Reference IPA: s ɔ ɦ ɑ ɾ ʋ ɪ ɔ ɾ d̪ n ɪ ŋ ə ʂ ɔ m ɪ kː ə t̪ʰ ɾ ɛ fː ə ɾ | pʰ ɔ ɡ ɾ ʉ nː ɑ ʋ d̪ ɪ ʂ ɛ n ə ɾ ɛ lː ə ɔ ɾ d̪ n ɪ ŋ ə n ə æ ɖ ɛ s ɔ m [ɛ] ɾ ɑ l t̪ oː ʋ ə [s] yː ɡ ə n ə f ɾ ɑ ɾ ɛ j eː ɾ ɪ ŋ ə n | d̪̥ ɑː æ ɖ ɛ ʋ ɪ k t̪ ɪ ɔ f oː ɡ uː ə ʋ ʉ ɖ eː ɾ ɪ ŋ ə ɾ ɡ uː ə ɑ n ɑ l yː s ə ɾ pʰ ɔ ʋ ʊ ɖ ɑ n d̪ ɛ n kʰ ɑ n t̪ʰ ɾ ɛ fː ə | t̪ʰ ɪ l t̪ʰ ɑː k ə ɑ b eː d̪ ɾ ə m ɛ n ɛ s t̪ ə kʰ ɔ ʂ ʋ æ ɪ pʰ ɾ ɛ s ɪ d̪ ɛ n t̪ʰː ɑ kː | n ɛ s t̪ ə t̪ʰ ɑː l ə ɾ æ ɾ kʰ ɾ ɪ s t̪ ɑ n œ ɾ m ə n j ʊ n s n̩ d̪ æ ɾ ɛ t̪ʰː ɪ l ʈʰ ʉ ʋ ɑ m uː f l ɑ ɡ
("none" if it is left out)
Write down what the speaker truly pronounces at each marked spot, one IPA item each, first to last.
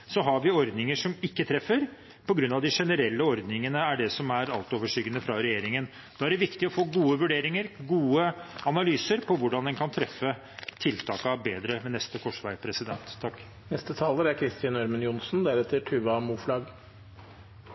æ, ʂ

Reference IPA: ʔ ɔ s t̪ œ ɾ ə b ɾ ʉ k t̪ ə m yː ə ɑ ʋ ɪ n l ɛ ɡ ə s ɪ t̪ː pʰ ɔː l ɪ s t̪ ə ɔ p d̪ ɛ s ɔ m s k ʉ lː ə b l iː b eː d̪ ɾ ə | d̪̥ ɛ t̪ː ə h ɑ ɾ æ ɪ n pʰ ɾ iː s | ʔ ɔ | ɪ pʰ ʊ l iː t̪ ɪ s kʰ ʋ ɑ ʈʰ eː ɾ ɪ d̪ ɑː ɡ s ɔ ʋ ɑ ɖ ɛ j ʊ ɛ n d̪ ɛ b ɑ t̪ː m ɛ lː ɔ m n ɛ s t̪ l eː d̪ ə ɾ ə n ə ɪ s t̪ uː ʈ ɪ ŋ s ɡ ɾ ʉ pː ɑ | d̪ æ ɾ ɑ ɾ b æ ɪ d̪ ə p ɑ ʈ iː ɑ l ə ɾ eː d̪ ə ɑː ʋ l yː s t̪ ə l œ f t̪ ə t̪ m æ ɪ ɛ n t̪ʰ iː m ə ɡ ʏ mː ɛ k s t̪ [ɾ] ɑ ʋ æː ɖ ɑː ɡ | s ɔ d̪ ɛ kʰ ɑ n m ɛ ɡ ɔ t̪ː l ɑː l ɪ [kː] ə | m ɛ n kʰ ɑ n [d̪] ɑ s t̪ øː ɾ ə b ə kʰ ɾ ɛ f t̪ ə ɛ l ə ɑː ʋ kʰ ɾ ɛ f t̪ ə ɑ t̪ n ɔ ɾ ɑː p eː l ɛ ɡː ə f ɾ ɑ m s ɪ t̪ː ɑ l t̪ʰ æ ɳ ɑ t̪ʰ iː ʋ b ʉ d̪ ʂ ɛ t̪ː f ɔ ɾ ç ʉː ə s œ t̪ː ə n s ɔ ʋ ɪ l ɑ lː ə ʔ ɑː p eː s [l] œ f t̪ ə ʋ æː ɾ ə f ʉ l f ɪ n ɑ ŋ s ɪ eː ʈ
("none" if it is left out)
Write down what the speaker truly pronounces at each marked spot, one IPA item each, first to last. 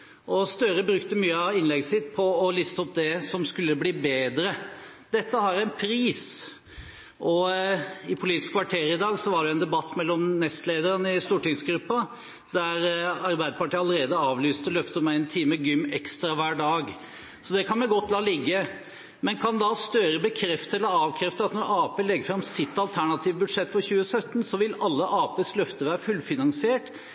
ɾ, ɡː, d̪, l

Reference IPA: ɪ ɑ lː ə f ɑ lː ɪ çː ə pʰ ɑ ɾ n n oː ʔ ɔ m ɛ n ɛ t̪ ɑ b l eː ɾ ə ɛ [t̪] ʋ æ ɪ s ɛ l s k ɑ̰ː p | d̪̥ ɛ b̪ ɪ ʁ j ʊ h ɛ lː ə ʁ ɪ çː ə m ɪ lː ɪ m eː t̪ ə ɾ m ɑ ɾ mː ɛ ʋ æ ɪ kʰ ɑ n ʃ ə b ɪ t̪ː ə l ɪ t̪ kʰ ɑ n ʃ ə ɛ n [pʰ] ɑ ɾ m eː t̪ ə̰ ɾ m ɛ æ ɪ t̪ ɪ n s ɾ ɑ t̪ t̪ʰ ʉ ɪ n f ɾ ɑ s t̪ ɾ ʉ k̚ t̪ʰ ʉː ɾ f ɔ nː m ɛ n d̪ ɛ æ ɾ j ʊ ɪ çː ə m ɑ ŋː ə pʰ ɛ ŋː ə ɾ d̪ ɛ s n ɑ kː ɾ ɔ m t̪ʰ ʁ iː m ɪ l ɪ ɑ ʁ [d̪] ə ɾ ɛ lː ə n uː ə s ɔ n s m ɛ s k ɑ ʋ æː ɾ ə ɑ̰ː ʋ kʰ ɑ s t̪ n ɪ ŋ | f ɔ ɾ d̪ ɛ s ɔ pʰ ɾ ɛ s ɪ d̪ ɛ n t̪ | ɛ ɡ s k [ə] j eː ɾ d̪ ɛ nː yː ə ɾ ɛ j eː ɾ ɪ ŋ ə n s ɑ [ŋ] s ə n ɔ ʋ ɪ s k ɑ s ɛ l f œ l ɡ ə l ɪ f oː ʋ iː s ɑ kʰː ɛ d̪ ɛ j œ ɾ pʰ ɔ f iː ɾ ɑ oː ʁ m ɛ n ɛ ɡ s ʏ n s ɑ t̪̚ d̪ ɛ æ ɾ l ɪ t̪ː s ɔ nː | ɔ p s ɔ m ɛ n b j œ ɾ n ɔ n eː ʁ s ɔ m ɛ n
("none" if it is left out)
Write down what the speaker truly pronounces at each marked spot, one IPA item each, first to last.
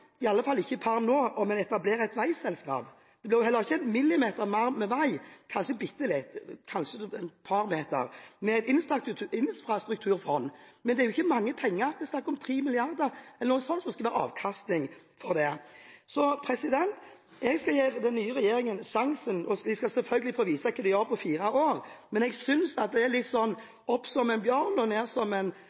t̪, pʰ, d̪, ɑ, ŋ

